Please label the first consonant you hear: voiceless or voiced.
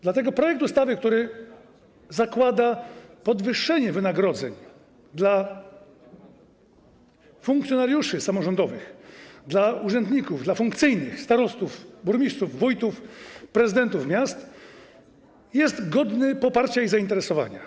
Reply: voiced